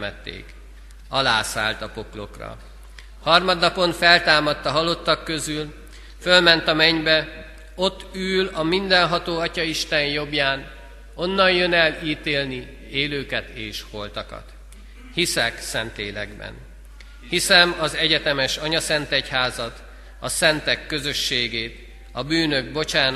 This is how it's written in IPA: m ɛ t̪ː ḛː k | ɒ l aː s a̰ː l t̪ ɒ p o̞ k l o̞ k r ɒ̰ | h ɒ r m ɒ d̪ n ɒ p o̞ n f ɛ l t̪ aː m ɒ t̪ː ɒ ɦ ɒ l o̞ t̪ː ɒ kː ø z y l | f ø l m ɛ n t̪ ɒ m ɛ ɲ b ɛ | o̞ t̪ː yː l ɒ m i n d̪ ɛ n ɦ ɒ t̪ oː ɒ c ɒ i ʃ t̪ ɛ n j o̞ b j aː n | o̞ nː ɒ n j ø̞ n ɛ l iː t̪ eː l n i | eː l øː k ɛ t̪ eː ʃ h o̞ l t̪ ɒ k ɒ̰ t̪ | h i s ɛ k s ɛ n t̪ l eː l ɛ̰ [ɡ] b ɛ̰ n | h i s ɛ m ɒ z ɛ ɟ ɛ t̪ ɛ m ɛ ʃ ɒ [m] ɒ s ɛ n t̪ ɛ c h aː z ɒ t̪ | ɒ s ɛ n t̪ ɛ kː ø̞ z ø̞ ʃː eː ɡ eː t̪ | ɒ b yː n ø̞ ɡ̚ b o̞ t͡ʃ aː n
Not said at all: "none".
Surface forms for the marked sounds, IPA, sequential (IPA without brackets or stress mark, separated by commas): ɡ, ɲ